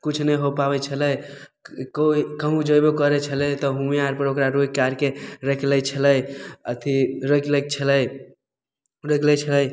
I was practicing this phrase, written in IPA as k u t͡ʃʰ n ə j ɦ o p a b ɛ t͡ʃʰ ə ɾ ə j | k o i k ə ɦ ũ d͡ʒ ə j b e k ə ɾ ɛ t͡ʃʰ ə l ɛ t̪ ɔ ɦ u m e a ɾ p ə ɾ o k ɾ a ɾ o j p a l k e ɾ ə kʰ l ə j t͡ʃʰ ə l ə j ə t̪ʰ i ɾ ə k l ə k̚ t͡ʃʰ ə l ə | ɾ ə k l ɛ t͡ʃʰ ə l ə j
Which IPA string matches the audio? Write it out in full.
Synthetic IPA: k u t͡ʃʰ n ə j ɦ o p a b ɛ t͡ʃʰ ə l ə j | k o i k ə ɦ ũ d͡ʒ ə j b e k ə ɾ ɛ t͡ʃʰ ə l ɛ t̪ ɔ ɦ u m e a ɾ p ə ɾ o k ɾ a ɾ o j k a ɾ k e ɾ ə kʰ l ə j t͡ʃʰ ə l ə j ə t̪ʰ i ɾ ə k l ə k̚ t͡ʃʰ ə l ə | ɾ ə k l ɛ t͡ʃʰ ə l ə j